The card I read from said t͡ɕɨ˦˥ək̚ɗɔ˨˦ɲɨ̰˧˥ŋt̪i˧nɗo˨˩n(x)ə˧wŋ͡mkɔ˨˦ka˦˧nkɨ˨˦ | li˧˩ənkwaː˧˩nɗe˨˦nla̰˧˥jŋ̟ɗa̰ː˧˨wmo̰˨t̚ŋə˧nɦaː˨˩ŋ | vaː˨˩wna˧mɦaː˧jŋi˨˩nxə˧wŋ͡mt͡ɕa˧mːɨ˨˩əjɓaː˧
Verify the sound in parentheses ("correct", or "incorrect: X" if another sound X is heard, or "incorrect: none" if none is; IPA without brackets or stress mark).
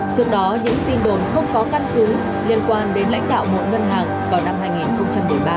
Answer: correct